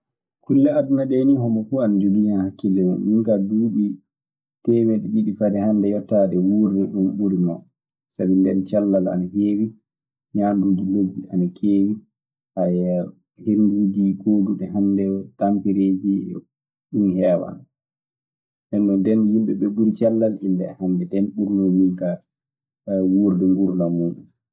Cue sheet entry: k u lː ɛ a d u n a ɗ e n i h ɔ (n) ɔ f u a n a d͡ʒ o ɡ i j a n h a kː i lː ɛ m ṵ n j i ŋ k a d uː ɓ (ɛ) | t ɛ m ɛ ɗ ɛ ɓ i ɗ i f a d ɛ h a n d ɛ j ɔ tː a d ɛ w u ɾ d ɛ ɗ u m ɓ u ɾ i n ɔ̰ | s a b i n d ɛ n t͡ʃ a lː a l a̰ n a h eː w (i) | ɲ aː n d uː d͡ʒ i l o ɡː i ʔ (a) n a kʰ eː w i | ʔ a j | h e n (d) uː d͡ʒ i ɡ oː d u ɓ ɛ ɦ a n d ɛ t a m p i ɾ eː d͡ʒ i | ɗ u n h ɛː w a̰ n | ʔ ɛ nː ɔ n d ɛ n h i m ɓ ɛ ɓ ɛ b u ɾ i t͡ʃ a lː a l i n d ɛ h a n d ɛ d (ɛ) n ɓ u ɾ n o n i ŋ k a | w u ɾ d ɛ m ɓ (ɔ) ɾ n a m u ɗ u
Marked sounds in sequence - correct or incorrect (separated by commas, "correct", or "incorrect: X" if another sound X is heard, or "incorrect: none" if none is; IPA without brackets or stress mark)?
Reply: incorrect: m, incorrect: i, correct, correct, correct, correct, incorrect: u